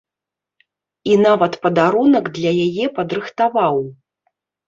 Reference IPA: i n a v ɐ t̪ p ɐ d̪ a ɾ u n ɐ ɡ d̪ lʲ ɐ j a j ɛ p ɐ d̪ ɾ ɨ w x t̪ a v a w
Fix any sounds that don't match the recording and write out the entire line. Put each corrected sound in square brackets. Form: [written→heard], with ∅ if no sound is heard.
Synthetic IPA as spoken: i n a v ɐ t̪ p ɐ d̪ a ɾ u n ɐ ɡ d̪ lʲ ɐ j a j ɛ p ɐ d̪ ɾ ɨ [w→∅] x t̪ a v a w